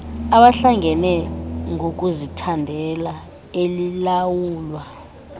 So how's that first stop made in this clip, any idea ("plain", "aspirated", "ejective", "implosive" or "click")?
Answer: implosive